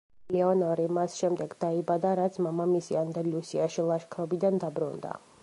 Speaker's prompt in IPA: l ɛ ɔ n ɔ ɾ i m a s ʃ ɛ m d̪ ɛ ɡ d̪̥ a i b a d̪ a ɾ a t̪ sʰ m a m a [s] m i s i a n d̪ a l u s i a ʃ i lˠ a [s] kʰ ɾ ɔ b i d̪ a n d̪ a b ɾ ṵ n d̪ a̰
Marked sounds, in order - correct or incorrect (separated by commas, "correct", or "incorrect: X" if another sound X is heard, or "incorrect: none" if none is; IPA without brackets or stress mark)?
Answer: incorrect: none, incorrect: ʃ